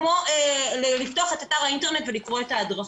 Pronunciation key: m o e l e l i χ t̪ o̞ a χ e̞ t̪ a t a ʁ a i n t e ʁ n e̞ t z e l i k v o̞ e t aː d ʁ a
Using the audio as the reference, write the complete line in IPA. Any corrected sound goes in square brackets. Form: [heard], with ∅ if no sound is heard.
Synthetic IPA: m o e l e l i [f] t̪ o̞ a χ e̞ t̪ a t a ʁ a i n t e ʁ n e̞ t [v] e l i k [ʁ] o̞ e t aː d ʁ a